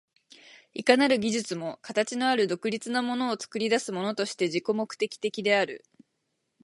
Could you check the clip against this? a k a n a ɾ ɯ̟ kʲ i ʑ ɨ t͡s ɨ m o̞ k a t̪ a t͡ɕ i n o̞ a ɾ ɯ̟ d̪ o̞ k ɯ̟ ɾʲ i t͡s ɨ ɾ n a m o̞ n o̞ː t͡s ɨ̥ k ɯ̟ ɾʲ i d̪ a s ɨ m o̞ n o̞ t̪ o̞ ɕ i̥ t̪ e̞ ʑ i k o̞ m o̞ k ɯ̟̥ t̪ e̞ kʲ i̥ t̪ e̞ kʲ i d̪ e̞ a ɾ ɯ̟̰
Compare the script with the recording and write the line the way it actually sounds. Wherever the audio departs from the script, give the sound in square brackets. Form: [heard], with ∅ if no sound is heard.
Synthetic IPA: [i] k a n a ɾ ɯ̟ [ɡʲ] i ʑ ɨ t͡s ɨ m o̞ k a t̪ a t͡ɕ i n o̞ a ɾ ɯ̟ d̪ o̞ k ɯ̟ ɾʲ i t͡s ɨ [∅] n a m o̞ n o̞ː t͡s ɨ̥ k ɯ̟ ɾʲ i d̪ a s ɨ m o̞ n o̞ t̪ o̞ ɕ i̥ t̪ e̞ ʑ i k o̞ m o̞ k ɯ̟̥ t̪ e̞ kʲ i̥ t̪ e̞ kʲ i d̪ e̞ a ɾ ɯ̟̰